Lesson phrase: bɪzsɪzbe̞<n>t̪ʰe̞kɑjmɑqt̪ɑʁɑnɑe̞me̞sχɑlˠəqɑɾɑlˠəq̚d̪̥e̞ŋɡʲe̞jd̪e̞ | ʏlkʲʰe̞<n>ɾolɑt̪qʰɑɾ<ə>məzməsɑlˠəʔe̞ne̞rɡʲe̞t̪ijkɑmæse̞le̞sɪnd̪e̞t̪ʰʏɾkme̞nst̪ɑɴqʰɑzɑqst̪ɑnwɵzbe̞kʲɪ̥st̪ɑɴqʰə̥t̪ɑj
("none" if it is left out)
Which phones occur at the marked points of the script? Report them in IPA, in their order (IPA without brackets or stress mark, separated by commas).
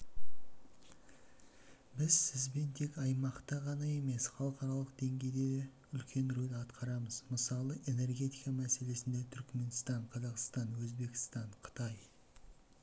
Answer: n, n, ɑ